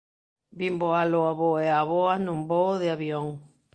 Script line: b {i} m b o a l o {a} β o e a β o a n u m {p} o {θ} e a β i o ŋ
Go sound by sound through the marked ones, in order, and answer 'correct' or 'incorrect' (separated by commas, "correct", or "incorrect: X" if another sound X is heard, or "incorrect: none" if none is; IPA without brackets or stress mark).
correct, correct, incorrect: b, incorrect: ð